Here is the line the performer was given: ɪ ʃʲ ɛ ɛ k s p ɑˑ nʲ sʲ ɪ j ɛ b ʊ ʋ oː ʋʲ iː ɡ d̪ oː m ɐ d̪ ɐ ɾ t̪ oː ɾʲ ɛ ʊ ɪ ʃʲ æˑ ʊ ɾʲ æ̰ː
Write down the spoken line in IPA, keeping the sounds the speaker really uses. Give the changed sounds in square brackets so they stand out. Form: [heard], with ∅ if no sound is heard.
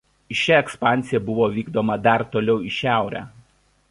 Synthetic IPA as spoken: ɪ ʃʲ ɛ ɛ k s p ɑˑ nʲ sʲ ɪ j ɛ b ʊ ʋ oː ʋʲ iː ɡ d̪ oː m ɐ d̪ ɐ ɾ t̪ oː [lʲ] ɛ ʊ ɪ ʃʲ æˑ ʊ ɾʲ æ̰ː